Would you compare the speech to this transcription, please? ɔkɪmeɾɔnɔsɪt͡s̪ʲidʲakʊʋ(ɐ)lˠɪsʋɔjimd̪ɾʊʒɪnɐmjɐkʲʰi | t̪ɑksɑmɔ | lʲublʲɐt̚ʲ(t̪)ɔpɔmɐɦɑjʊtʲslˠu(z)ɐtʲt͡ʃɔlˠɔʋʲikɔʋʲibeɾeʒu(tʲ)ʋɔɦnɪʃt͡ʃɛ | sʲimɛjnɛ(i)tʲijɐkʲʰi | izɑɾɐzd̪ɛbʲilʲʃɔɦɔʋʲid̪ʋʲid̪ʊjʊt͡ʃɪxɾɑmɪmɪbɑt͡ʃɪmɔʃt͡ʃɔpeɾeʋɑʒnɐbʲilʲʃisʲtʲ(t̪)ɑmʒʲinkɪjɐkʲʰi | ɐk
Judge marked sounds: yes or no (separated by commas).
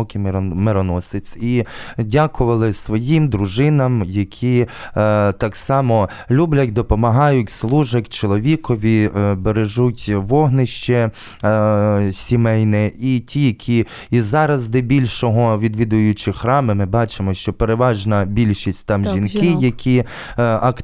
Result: yes, no, no, yes, yes, yes